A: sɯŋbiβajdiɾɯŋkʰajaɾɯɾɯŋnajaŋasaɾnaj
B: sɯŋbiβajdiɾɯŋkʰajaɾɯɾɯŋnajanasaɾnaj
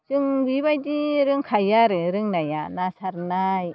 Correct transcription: B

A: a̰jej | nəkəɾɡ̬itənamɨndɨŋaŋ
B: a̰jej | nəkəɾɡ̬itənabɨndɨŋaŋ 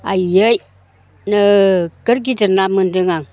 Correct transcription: A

